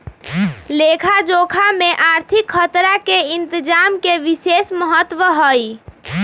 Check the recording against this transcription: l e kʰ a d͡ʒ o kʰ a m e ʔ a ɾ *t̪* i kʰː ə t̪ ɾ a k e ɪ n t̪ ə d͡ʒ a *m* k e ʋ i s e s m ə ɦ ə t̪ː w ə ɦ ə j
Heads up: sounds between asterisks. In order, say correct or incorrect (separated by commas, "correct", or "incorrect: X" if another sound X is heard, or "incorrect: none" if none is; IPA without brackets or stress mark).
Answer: incorrect: t̪ʰ, correct